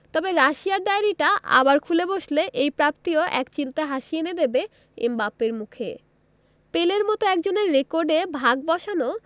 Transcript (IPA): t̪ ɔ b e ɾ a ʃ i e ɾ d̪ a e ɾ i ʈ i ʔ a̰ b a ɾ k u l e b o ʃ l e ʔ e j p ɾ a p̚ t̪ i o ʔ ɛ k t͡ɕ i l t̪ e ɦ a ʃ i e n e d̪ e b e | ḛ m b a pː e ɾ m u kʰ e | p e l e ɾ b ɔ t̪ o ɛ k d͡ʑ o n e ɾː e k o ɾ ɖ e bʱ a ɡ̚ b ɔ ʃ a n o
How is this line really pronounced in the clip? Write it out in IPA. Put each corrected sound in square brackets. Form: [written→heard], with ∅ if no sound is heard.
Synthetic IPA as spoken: t̪ ɔ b e ɾ a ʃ i [e→a] ɾ d̪ a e ɾ i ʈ [i→a] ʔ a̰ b a ɾ [k→kʰ] u l e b o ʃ l e ʔ e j p ɾ a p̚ t̪ i o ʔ ɛ k t͡ɕ i l t̪ e ɦ a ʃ i e n e d̪ e b e | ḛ m b a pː e ɾ m u kʰ e | p e l e ɾ [b→m] ɔ t̪ o ɛ k d͡ʑ o n e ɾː e k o ɾ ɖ e bʱ a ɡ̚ b ɔ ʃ a n o